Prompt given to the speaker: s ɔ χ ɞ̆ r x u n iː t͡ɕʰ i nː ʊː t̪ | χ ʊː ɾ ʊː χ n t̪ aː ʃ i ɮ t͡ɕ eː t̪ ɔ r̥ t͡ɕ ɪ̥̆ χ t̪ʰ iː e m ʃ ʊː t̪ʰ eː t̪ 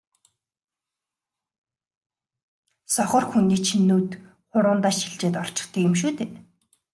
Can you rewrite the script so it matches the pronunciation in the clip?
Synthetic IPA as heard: s ɔ χ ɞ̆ r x u n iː t͡ɕʰ i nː uː t̪ | χ ʊ ɾ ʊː n t̪ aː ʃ i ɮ t͡ɕ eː t̪ ɔ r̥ t͡ɕ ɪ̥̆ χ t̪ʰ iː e m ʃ uː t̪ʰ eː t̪